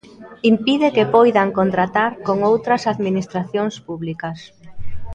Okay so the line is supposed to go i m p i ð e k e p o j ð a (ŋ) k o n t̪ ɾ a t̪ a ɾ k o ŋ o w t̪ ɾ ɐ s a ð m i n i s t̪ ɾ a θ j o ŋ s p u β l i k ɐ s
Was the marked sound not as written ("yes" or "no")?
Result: no